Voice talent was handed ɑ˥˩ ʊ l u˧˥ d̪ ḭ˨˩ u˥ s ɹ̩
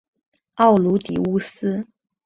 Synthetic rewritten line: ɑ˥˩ ʊ l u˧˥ t̪ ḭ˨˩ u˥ s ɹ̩